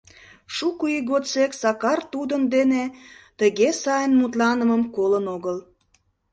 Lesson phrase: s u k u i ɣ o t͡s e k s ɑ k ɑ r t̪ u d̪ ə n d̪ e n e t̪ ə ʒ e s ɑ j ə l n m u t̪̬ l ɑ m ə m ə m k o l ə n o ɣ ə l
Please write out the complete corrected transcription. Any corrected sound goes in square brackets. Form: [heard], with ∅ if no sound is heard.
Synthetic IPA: [ʃ] u k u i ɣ o t͡s e k s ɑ k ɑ r t̪ u d̪ ə n d̪ e n e t̪ ə [ɣ] e s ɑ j ə [∅] n m u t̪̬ l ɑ [n] ə m ə m k o l ə n o ɣ ə l